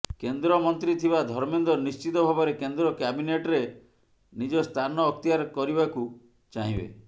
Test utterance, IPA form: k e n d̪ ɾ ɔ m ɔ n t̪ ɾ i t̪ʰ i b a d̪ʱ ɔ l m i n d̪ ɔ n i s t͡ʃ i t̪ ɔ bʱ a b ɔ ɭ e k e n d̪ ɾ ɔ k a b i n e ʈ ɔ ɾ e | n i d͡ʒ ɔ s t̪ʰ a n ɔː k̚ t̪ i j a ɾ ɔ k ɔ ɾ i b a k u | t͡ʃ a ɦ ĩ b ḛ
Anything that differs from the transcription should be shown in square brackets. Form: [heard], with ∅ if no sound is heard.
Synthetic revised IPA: k e n d̪ ɾ ɔ m ɔ n t̪ ɾ i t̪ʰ i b a d̪ʱ ɔ [ɾ] m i n d̪ ɔ n i s t͡ʃ i t̪ ɔ bʱ a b ɔ [ɾ] e k e n d̪ ɾ ɔ k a b i n e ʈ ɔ ɾ e | n i d͡ʒ ɔ s t̪ʰ a n ɔː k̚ t̪ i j a ɾ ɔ k ɔ ɾ i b a k u | t͡ʃ a ɦ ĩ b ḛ